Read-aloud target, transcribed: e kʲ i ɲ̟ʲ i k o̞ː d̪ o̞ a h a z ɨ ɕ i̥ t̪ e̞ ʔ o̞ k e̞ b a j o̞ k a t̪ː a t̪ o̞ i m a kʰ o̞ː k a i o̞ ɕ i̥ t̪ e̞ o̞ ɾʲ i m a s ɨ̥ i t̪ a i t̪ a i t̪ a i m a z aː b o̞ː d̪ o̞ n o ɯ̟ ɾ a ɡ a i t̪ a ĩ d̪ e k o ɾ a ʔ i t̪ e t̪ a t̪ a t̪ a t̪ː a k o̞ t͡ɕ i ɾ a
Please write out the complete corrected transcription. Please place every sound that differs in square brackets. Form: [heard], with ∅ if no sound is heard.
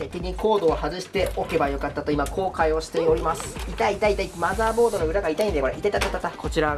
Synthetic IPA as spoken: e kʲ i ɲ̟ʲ i k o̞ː d̪ o̞ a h a z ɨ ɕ i̥ t̪ e̞ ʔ o̞ k e̞ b a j o̞ k a t̪ː a t̪ o̞ i m a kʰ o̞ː k a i o̞ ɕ i̥ t̪ e̞ o̞ ɾʲ i m a s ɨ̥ i t̪ a i t̪ a i t̪ a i m a z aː b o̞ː d̪ o̞ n o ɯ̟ ɾ a ɡ a i t̪ a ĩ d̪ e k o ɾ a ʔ i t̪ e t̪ a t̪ a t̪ a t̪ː a k o̞ t͡ɕ i ɾ a